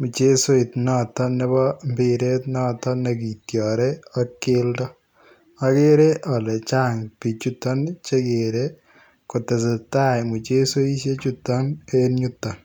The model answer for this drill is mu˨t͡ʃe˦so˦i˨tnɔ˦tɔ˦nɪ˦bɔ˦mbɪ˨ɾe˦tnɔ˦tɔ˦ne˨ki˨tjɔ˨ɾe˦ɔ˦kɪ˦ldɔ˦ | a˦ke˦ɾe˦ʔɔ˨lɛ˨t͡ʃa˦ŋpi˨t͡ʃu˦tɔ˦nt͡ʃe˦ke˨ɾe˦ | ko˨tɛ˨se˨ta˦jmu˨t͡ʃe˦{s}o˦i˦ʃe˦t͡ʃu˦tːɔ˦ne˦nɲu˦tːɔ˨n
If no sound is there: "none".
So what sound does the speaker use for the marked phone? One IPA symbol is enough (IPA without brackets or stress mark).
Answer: s